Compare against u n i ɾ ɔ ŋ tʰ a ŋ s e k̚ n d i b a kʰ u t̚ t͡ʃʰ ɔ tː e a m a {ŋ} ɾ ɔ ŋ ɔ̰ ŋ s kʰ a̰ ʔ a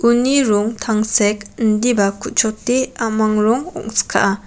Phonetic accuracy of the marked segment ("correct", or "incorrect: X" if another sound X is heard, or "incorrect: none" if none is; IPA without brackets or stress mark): correct